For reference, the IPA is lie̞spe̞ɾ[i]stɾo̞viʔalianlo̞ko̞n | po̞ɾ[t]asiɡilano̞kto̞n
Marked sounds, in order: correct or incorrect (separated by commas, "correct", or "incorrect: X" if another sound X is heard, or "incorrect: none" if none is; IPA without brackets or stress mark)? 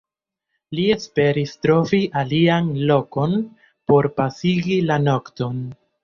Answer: correct, incorrect: p